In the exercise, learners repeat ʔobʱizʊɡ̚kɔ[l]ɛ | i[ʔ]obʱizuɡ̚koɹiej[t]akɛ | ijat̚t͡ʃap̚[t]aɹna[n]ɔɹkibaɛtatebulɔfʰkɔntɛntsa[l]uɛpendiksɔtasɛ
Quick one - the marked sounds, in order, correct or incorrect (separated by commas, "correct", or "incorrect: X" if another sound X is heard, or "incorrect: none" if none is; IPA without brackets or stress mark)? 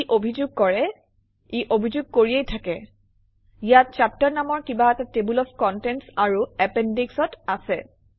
incorrect: ɹ, correct, incorrect: tʰ, correct, incorrect: m, incorrect: ɹ